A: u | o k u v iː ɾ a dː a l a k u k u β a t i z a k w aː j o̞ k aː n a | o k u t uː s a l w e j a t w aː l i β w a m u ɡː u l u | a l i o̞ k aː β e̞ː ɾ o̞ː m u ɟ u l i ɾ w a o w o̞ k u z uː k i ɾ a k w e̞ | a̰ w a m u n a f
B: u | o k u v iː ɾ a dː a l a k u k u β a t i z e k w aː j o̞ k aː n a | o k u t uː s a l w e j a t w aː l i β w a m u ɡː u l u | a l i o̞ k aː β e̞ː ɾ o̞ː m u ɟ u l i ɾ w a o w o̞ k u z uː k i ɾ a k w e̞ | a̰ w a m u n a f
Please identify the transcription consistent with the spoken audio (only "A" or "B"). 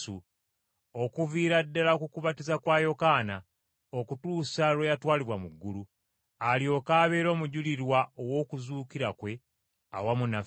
A